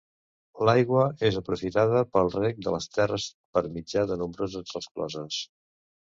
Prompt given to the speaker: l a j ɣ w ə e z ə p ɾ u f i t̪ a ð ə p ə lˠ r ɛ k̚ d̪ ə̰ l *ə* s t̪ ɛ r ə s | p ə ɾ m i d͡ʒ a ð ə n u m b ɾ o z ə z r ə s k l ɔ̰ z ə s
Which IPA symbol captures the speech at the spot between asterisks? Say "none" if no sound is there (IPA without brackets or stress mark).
ə